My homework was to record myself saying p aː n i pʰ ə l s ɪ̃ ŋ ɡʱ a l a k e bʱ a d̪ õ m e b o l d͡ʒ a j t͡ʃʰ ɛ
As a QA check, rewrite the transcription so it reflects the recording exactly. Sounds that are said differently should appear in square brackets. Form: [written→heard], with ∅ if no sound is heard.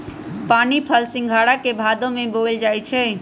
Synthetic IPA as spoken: p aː n i pʰ ə l s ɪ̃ ŋ ɡʱ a [l→ɽ] a k e bʱ a d̪ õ m e b o l d͡ʒ a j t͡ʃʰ ɛ

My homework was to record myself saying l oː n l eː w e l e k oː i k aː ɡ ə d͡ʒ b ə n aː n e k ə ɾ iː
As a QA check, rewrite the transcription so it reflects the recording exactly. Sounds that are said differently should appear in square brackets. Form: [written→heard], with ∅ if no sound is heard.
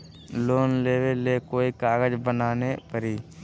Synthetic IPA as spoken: l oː n l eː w e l e k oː i k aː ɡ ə d͡ʒ b ə n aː n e [k→p] ə ɾ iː

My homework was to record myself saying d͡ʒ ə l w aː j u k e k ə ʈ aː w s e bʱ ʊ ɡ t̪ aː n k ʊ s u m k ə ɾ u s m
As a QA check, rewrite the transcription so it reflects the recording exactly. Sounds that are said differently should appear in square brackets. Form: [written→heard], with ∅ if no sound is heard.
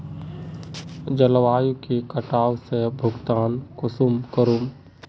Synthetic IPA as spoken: d͡ʒ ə l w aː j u k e k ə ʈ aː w s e bʱ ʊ ɡ t̪ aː n k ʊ s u m k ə ɾ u [s→∅] m

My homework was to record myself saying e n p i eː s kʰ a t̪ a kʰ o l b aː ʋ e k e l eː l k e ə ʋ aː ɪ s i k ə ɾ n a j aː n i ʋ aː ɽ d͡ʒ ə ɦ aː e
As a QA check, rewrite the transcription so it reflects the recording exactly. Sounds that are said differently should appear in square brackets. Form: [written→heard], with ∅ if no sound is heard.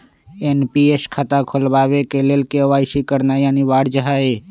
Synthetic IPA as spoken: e n p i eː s kʰ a t̪ a kʰ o l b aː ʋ e k e l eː l k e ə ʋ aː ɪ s i k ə ɾ n a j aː n i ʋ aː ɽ d͡ʒ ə ɦ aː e

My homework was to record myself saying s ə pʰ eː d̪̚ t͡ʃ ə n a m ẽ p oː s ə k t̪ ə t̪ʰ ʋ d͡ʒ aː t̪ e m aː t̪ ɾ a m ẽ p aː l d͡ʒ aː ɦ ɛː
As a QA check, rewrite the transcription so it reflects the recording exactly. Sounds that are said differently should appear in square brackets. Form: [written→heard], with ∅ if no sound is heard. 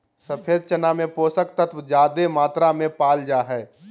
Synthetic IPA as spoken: s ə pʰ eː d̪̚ t͡ʃ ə n a m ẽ p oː s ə k t̪ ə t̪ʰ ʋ d͡ʒ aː [t̪→d̪] e m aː t̪ ɾ a m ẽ p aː l d͡ʒ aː ɦ ɛː

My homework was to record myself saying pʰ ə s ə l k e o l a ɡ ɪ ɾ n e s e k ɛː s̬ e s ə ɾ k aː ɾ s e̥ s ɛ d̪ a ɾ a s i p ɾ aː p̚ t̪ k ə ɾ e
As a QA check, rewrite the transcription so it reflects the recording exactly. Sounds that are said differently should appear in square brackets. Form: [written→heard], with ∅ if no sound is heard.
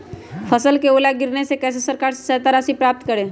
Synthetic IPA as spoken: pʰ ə s ə l k e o l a ɡ ɪ ɾ n e s e k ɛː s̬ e s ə ɾ k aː ɾ s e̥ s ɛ [d̪→t̪] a ɾ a s i p ɾ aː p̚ t̪ k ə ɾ e

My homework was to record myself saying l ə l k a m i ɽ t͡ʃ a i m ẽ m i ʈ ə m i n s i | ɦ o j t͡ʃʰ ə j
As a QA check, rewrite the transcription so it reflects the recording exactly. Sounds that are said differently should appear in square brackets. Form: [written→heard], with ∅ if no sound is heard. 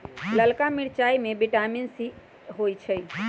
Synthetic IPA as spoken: l ə l k a m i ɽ t͡ʃ a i m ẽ [m→b] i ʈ [ə→a] m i n s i | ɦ o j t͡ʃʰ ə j

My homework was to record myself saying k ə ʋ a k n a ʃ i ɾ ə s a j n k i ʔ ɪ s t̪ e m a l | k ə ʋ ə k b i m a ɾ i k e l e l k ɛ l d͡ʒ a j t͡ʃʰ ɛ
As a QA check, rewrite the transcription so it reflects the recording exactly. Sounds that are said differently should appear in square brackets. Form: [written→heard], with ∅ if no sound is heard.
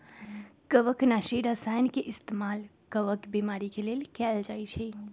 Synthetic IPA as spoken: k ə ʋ [a→ə] k n a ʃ i ɾ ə s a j n k [i→e] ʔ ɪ s t̪ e m a l | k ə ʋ ə k b i m a ɾ i k e l e l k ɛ l d͡ʒ a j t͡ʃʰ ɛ

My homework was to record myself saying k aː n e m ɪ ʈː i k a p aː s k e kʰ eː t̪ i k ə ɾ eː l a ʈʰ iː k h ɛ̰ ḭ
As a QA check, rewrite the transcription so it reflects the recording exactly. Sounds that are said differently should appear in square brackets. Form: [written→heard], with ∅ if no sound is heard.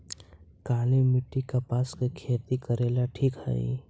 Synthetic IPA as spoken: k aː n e m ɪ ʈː i k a p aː s k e kʰ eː t̪ i k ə ɾ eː l a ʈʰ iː k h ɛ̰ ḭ

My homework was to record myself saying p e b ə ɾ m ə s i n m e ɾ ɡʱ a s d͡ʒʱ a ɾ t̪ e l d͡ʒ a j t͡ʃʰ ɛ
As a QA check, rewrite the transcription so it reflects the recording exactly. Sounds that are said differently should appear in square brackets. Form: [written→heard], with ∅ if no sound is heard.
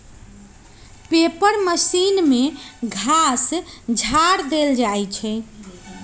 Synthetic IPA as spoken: p e [b→p] ə ɾ m ə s i n m e [ɾ→∅] ɡʱ a s d͡ʒʱ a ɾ [t̪→d̪] e l d͡ʒ a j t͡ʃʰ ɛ

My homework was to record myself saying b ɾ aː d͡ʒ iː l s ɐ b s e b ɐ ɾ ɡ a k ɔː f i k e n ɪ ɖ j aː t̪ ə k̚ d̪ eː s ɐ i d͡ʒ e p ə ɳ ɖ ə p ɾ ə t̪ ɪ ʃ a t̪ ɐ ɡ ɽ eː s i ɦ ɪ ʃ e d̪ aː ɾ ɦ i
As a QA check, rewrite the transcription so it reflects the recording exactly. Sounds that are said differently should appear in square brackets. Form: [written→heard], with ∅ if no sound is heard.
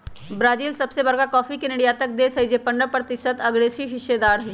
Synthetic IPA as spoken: b ɾ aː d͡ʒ iː l s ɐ b s e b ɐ ɾ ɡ a k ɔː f i k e n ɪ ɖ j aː t̪ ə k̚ d̪ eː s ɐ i d͡ʒ e p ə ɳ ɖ ə p ɾ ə t̪ ɪ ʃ [a→ə] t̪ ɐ ɡ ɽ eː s i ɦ ɪ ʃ e d̪ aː ɾ ɦ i

